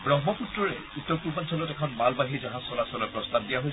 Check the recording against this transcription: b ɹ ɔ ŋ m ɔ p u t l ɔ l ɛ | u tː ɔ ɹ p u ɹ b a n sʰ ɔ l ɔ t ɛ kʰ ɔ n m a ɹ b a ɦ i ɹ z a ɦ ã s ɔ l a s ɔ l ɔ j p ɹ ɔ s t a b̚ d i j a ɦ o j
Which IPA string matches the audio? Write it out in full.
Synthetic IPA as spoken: b ɹ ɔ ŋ m ɔ p u t ɹ ɔ ɹ ɛ | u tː ɔ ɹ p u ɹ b a n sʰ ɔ l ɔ t ɛ kʰ ɔ n m a l b a ɦ i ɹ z a ɦ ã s ɔ l a s ɔ l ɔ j p ɹ ɔ s t a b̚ d i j a ɦ o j